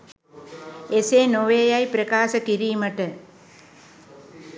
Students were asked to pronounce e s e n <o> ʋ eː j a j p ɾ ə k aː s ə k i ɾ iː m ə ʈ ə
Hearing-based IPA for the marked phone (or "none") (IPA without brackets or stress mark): o